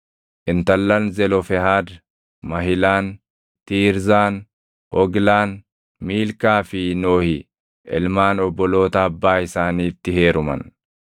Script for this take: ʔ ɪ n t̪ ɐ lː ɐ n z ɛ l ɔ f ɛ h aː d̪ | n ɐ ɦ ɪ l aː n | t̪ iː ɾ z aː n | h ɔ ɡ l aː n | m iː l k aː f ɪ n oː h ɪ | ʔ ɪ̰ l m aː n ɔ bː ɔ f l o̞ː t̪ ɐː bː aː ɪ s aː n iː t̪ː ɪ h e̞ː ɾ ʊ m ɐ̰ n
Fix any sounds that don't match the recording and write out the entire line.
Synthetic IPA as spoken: ʔ ɪ n t̪ ɐ lː ɐ n z ɛ l ɔ f ɛ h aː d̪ | m ɐ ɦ ɪ l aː n | t̪ iː ɾ z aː n | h ɔ ɡ l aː n | m iː l k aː f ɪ n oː h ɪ | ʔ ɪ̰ l m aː n ɔ bː ɔ l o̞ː t̪ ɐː bː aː ɪ s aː n iː t̪ː ɪ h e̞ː ɾ ʊ m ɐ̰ n